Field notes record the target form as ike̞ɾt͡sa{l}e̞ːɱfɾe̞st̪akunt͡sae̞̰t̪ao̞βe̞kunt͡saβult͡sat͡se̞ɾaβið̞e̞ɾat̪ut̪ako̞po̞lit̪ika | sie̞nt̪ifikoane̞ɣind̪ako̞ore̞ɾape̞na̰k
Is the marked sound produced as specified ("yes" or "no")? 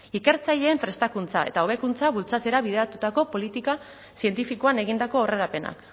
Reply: no